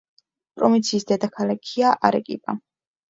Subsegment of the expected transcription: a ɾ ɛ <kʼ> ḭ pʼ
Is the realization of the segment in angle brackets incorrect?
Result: no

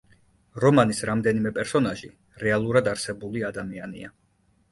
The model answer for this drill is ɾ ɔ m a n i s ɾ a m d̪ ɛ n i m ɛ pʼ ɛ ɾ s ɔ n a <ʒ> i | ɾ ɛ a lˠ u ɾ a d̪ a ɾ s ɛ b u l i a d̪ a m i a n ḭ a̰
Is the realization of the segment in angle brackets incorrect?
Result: no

